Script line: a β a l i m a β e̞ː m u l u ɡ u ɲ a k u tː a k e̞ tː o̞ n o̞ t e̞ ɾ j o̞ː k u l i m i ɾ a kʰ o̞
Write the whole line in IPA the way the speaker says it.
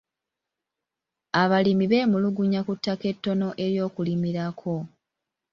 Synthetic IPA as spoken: a β a l i m i β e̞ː m u l u ɡ u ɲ a k u tː a k e̞ tː o̞ n o̞ ʔ e̞ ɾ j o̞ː k u l i m i ɾ a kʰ o̞

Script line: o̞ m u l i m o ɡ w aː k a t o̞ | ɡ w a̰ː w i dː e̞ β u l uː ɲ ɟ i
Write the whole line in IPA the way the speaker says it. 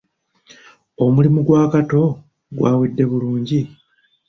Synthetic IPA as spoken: o̞ m u l i m u ɡ w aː k a t o̞ | ɡ w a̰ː w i dː e̞ β u l uː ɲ ɟ i

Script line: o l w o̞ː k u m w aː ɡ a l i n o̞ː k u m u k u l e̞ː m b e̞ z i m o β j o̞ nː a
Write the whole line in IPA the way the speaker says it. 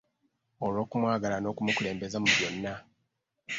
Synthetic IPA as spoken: o l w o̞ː k u m w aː ɡ a l a n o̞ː k u m u k u l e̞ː m b e̞ z a m u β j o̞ nː a

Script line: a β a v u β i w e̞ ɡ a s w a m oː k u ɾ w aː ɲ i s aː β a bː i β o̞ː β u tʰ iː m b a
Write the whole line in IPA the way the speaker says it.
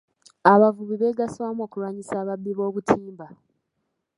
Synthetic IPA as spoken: a β a v u β i β e̞ ɡ a s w a m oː k u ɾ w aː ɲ i s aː β a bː i β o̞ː β u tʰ iː m b a

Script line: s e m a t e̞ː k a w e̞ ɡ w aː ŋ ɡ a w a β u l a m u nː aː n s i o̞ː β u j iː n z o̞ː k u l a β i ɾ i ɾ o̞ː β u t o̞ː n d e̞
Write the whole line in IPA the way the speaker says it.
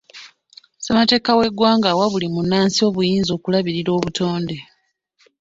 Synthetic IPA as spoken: s e m a t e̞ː k a w e̞ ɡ w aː ŋ ɡ a w a β u l i m u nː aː n s i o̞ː β u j iː n z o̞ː k u l a β i ɾ i ɾ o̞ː β u t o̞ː n d e̞

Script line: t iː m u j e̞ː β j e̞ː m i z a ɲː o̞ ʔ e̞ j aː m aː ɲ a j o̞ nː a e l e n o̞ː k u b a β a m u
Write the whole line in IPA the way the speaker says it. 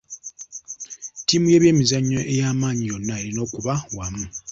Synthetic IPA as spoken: t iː m u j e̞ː β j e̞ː m i z a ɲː o̞ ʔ e̞ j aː m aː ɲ i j o̞ nː a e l i n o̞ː k u β a w a m u

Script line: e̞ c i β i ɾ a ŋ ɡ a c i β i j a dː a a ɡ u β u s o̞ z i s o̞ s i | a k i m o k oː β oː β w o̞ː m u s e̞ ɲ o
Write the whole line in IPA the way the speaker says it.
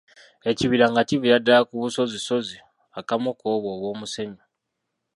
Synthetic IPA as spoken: e̞ c i β i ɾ a ŋ ɡ a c i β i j a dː a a k u β u s o̞ z i s o̞ z i | a k a m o k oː β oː β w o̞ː m u s e̞ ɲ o

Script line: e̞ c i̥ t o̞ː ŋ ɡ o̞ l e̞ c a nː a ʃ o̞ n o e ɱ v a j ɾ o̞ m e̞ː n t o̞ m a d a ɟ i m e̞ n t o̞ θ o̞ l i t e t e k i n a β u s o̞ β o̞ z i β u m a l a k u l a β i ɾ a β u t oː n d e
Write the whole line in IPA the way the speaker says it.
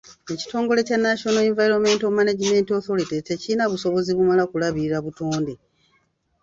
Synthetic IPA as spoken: e̞ c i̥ t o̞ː ŋ ɡ o̞ l e̞ c a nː a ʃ o̞ n o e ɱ v a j ɾ o̞ m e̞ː n t o̞ m a n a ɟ i m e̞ n t o̞ θ o̞ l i t e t e c i n a β u s o̞ β o̞ z i β u m a l a k u l a β i ɾ a β u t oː n d e

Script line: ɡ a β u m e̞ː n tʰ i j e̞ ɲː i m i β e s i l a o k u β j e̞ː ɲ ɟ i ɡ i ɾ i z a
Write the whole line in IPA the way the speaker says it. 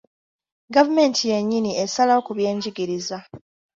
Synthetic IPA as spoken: ɡ a v u m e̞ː n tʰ i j e̞ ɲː i n i e s a l a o k u β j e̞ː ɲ ɟ i ɡ i ɾ i z a

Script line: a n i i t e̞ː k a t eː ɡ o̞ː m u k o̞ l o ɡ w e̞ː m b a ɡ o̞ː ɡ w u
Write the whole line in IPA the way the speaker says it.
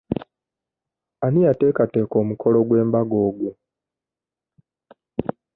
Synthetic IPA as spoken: a n i a t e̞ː k a t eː k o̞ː m u k o̞ l o ɡ w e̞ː m b a ɡ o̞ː ɡ w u

